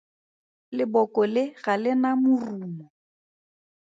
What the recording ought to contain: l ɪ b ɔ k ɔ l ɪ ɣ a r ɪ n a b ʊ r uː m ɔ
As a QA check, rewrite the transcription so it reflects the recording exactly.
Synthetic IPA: l ɪ b ɔ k ɔ l ɪ ɣ a l ɪ n a m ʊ r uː m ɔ

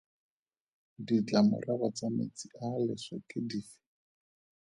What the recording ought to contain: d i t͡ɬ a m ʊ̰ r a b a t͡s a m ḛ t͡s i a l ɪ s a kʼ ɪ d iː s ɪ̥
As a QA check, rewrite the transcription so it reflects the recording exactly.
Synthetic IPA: d i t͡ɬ a m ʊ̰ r a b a t͡s a m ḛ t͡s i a l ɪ s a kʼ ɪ d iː f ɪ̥

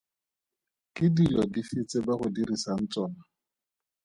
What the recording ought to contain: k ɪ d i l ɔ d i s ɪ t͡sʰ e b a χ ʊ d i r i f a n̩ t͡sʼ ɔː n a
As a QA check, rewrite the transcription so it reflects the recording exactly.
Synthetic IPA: k ɪ d i l ɔ d i f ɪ t͡s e b a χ ʊ d i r i s a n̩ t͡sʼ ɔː n a

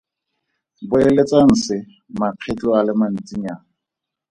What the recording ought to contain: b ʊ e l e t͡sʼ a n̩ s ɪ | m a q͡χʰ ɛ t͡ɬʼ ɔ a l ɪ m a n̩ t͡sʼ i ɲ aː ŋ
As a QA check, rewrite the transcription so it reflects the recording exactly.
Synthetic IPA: b ʊ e l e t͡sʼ a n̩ s ɪ | m a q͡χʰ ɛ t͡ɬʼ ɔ a l ɪ m a n̩ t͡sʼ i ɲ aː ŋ

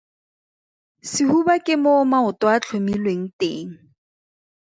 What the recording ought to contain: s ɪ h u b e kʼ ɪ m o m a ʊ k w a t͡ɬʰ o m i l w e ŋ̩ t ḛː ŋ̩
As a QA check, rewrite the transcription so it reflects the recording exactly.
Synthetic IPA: s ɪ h u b a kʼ ɪ m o m a ʊ t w a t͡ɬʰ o m i l w e ŋ̩ t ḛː ŋ̩

